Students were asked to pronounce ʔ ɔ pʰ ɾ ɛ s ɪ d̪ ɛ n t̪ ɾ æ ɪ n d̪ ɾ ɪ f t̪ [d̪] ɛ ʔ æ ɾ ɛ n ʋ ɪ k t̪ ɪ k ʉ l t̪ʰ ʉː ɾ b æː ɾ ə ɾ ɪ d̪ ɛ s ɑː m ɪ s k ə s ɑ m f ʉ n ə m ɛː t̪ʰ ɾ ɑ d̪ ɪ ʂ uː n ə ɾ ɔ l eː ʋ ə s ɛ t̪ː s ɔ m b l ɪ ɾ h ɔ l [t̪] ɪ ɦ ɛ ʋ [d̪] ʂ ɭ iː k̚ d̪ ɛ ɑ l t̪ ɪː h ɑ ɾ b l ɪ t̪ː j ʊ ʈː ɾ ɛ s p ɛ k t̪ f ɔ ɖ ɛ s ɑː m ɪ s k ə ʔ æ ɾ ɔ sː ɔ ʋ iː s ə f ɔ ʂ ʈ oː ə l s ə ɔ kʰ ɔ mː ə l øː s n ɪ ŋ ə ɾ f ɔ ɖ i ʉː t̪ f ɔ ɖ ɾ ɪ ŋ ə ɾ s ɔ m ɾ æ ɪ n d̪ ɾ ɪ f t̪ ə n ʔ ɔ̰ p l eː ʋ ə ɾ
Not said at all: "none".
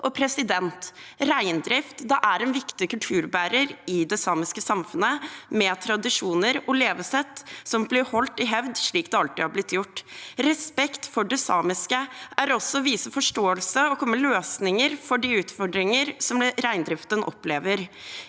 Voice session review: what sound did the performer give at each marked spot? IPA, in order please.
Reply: d̪, t̪, d̪

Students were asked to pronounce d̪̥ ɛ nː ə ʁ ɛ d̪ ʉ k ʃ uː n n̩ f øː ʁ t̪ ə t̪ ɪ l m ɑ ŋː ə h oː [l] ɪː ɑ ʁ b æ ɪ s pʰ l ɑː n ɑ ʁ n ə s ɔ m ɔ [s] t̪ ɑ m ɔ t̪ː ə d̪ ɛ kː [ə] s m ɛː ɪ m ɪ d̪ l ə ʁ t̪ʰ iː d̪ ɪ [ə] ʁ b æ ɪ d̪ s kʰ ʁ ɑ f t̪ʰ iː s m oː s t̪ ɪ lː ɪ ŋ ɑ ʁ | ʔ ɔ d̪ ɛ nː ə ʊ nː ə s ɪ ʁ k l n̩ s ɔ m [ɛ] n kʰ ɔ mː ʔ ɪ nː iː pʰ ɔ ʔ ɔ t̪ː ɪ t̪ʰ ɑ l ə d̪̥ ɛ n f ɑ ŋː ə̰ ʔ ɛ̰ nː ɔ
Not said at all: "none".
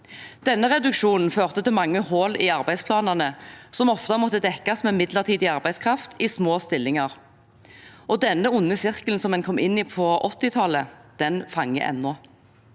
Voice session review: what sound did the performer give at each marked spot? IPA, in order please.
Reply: l, f, ɑ, ɑ, ɛ

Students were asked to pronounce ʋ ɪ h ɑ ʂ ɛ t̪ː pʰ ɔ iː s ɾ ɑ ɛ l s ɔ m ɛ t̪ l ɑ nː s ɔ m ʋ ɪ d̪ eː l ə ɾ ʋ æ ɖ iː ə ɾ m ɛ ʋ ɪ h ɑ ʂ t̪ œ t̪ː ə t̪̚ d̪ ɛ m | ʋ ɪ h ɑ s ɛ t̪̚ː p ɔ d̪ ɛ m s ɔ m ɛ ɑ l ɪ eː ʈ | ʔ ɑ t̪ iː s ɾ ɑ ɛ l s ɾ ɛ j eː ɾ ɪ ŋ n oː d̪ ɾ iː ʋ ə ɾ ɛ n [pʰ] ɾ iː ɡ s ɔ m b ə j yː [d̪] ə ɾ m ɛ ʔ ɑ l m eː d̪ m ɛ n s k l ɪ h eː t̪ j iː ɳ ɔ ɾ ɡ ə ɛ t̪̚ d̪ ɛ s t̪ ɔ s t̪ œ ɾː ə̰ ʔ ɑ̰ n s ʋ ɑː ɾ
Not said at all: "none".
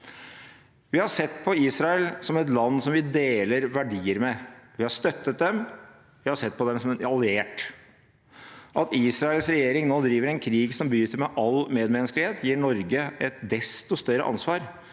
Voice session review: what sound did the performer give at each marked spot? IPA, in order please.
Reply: kʰ, t̪

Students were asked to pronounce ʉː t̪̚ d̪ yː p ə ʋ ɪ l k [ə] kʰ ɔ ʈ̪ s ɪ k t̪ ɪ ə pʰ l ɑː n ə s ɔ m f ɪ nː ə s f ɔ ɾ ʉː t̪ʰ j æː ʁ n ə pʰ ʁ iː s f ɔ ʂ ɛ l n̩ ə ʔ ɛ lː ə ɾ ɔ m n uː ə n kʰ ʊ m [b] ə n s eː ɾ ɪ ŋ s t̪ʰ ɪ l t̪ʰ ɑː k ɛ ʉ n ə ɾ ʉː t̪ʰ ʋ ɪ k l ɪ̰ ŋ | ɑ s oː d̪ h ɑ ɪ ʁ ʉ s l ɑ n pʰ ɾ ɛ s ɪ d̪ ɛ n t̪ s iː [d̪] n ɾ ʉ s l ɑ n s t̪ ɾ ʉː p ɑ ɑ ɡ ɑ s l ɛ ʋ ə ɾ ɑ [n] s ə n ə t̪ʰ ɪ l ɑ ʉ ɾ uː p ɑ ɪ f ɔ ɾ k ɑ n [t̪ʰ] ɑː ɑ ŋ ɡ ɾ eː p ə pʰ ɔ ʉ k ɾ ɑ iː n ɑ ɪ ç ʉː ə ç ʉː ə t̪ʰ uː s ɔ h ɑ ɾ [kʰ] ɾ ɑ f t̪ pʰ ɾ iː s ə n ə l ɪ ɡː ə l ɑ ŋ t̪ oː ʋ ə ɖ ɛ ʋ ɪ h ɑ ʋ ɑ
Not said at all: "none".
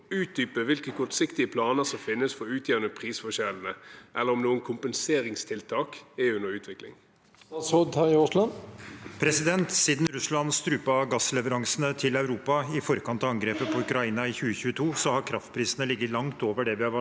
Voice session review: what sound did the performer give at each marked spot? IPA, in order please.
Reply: ə, p, d̪, ŋ, t̪, kʰ

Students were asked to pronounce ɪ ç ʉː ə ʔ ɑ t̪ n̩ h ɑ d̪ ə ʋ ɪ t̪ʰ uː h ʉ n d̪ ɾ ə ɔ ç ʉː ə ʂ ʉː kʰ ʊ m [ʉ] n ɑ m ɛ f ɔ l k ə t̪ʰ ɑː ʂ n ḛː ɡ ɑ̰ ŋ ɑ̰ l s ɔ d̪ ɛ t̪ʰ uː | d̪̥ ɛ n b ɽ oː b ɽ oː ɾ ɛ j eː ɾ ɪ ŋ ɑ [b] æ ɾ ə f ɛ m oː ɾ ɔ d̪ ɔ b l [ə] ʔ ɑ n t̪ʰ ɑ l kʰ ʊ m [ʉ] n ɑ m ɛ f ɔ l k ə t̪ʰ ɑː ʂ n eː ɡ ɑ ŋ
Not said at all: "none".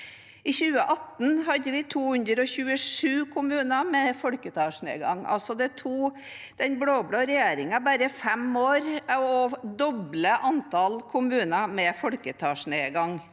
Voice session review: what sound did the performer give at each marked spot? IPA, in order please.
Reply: ʉː, b, ə, ʉː

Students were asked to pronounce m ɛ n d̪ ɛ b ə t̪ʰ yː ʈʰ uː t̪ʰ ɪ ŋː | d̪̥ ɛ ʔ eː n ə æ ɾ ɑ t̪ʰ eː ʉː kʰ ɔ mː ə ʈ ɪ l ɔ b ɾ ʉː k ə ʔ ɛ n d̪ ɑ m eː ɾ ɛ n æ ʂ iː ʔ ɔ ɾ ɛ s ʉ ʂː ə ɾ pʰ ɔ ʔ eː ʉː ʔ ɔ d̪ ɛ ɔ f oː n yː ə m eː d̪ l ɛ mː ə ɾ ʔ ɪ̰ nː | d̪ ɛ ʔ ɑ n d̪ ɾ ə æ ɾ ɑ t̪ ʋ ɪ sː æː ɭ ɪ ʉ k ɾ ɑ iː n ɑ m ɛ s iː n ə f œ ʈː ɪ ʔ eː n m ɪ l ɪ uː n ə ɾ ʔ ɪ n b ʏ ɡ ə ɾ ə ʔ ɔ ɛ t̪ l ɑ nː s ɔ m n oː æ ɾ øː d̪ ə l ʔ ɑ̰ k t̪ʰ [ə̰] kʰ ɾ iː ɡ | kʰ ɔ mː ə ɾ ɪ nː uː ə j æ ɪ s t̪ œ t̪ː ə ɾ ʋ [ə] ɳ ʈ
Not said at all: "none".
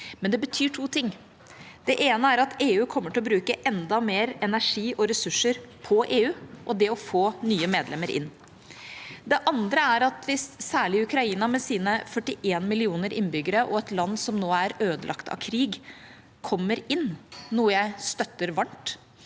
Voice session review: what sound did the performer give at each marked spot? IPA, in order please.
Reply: ɑ̰, ɑ

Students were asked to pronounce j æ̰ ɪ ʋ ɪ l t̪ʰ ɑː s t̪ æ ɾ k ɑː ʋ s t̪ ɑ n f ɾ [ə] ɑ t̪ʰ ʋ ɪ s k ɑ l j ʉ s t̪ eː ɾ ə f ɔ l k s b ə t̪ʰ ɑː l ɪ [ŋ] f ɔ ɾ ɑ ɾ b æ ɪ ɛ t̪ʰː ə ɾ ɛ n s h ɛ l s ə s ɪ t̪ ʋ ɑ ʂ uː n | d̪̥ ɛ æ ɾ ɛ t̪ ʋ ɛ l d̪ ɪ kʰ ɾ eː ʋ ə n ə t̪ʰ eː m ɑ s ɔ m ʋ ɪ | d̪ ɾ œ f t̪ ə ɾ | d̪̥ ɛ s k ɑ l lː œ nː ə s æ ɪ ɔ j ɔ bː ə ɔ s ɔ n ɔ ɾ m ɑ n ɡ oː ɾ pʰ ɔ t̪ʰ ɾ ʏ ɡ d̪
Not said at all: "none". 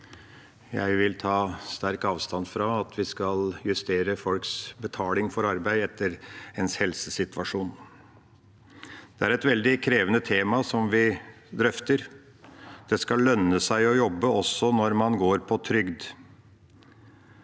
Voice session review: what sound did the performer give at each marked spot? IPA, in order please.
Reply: ɑ, ŋ

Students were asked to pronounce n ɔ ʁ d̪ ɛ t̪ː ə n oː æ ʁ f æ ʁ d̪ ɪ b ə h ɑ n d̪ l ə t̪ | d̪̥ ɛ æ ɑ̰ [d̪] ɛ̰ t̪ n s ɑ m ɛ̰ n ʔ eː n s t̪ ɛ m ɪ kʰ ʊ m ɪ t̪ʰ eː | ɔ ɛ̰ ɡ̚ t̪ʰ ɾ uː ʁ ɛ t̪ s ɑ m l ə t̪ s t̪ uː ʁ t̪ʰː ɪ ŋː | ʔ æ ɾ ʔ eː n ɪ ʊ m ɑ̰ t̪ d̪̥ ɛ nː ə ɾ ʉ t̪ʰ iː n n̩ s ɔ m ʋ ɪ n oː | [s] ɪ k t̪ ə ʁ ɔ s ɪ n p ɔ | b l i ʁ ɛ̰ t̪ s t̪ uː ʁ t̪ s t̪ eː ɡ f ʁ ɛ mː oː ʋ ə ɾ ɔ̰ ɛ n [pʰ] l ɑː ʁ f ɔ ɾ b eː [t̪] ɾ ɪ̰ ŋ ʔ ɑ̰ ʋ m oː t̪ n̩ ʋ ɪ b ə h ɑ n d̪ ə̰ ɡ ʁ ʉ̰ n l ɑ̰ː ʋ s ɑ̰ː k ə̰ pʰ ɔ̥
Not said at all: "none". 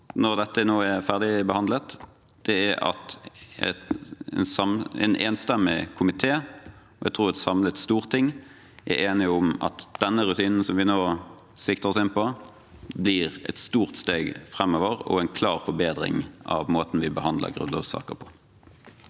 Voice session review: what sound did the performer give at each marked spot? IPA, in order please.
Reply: t̪, s, kʰ, d̪

